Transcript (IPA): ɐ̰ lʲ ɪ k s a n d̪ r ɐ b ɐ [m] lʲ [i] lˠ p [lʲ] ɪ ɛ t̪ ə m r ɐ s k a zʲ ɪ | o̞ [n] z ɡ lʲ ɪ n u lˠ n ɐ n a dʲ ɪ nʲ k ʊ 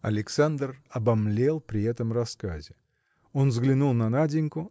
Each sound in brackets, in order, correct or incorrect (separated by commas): correct, incorrect, incorrect, correct